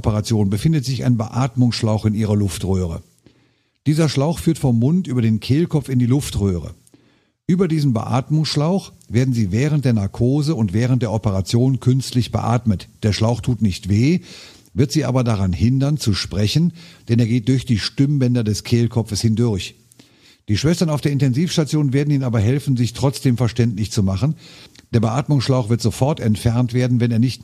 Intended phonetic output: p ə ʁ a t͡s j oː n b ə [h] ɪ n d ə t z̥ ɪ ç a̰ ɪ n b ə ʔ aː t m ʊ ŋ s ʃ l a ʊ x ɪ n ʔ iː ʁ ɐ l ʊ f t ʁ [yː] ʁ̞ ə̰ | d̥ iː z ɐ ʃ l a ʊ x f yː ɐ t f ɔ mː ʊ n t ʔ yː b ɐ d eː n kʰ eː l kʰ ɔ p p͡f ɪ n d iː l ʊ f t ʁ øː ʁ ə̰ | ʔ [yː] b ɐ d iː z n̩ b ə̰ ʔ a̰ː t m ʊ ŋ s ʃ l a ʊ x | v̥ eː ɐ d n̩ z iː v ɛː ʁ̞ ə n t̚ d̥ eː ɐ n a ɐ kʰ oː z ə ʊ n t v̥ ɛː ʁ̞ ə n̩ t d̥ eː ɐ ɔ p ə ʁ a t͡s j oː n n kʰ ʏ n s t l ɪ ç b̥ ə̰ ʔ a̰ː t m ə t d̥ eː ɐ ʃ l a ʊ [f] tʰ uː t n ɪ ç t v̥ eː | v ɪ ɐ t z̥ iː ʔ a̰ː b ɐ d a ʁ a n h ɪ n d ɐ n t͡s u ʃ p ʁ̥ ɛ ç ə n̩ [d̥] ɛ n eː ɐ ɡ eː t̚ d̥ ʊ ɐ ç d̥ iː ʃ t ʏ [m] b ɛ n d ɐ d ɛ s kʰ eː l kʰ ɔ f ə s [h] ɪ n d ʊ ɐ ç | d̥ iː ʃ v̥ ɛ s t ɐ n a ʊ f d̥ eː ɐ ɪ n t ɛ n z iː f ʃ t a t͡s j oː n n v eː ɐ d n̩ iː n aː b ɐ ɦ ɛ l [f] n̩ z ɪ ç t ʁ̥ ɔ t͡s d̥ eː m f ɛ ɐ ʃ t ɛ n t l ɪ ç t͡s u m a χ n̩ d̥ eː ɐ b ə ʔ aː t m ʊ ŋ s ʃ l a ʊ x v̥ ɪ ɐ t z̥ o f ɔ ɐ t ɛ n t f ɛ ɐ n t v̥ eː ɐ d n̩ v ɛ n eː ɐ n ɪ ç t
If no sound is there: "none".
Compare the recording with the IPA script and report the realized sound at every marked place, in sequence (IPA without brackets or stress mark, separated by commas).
f, øː, yː, x, d̥, m, h, f